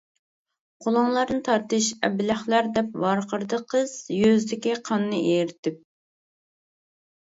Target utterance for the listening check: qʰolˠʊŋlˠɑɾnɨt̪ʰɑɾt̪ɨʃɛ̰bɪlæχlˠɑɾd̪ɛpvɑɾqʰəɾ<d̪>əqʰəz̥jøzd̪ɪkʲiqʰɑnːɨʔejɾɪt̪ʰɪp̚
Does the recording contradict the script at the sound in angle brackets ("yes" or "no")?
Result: no